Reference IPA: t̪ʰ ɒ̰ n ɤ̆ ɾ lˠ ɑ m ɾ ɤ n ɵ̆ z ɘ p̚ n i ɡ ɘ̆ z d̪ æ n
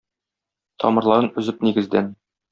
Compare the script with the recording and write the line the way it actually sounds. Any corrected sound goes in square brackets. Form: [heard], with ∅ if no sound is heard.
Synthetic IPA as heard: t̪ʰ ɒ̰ [m] ɤ̆ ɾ lˠ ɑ [∅] ɾ ɤ n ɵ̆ z ɘ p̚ n i ɡ ɘ̆ z d̪ æ n